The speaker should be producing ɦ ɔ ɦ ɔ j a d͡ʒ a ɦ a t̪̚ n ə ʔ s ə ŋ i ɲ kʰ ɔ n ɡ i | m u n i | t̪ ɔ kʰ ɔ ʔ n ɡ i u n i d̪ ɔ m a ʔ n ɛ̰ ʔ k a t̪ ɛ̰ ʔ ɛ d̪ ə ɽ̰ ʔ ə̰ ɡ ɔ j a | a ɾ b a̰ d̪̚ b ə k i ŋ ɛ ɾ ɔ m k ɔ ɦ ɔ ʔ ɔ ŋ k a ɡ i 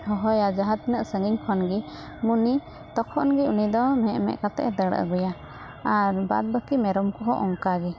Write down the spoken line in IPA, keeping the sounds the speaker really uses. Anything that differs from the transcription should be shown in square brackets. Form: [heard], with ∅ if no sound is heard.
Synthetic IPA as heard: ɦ ɔ ɦ ɔ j a d͡ʒ a ɦ a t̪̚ n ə ʔ s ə ŋ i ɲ kʰ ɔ n ɡ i | m u n i | t̪ ɔ kʰ ɔ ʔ n ɡ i u n i d̪ ɔ m [ɛ] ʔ [m] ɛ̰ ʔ k a t̪ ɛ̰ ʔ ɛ d̪ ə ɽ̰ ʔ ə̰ ɡ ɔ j a | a ɾ b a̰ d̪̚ b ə k i [m] ɛ ɾ ɔ m k ɔ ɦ ɔ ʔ ɔ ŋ k a ɡ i